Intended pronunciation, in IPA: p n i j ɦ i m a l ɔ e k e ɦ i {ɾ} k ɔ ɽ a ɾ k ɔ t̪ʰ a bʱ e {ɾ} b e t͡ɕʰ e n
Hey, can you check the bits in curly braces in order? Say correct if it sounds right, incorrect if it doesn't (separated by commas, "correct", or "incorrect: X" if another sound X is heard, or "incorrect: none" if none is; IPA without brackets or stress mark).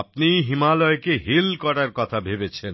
incorrect: l, incorrect: none